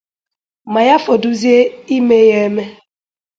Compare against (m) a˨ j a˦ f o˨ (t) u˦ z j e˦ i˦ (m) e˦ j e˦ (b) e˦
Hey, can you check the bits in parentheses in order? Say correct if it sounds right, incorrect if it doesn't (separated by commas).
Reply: correct, incorrect, correct, incorrect